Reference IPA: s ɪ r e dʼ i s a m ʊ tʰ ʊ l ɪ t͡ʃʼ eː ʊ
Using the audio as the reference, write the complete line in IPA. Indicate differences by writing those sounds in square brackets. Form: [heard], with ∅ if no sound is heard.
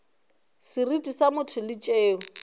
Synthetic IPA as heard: s ɪ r [i] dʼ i s a m ʊ tʰ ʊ l ɪ t͡ʃʼ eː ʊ